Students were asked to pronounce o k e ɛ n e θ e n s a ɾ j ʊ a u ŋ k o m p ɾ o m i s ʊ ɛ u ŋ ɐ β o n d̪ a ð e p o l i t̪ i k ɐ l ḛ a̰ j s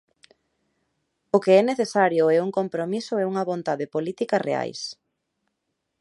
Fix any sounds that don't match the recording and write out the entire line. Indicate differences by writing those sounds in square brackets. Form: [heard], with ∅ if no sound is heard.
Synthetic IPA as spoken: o k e ɛ n e θ e [∅] s a ɾ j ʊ [ɛ] u ŋ k o m p ɾ o m i s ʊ ɛ u ŋ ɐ β o n [t̪] a ð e p o l i t̪ i k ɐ [r] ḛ a̰ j s